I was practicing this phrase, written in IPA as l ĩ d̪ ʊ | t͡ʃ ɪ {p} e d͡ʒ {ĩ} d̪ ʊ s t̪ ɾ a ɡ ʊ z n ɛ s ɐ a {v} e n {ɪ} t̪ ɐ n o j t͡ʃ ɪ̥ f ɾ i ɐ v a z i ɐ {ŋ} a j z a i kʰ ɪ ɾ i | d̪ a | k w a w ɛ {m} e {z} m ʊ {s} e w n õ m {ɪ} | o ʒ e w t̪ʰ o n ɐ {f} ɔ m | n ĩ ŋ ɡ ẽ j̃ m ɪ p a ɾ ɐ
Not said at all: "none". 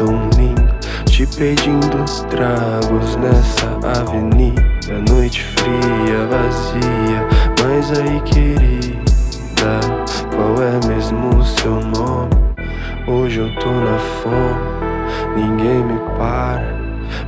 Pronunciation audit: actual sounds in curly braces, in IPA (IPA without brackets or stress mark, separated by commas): p, ĩ, v, i, m, m, z, s, ɪ, f